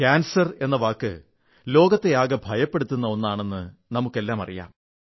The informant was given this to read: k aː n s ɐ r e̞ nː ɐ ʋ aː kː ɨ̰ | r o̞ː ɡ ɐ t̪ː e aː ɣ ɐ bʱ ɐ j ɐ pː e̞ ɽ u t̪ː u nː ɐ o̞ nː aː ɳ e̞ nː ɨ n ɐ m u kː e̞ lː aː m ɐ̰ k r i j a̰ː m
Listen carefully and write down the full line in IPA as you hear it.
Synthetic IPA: k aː n s ɐ r e̞ nː ɐ ʋ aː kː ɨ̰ | l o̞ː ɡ ɐ t̪ː e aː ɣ ɐ bʱ ɐ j ɐ pː e̞ ɽ u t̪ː u nː ɐ o̞ nː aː ɳ e̞ nː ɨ n ɐ m u kː e̞ lː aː m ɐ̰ r i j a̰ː m